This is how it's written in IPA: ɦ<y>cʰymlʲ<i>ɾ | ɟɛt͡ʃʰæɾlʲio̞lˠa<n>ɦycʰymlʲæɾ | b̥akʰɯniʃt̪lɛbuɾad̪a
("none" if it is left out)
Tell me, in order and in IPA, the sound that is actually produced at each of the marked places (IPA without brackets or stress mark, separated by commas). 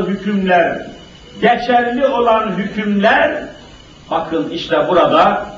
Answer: y, æ, n